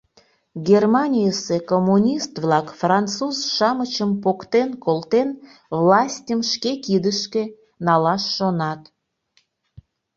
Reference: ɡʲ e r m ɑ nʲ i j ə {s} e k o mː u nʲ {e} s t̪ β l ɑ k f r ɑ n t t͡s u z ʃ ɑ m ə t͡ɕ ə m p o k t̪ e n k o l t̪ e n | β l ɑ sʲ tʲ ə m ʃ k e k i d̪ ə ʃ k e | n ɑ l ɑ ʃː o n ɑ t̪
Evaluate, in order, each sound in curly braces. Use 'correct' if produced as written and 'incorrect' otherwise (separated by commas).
correct, incorrect